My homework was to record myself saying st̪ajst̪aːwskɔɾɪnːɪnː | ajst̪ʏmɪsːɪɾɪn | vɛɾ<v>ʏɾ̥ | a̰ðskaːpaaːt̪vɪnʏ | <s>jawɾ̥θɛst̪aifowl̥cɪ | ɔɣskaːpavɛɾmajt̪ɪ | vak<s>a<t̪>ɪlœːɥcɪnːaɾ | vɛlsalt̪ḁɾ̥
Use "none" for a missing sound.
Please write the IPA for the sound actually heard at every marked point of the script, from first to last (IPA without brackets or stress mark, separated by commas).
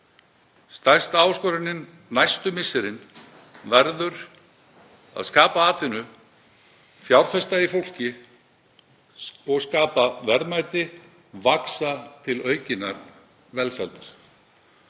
ð, f, s, t̪ʰ